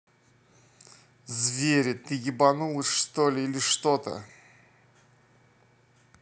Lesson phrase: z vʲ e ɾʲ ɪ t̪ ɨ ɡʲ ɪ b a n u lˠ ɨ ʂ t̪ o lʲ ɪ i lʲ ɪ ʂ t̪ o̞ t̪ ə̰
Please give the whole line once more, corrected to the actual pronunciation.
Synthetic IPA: z vʲ e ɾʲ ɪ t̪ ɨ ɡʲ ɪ b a n u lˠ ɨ ʂ t̪ o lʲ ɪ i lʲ ɪ ʂ t̪ o̞ t̪ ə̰